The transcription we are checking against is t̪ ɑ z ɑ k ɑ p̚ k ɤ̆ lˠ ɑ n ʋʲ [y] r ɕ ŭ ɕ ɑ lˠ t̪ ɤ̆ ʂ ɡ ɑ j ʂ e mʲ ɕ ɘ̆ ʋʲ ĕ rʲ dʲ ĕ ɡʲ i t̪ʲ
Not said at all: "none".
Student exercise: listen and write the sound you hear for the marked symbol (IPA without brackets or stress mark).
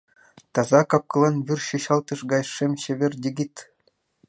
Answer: y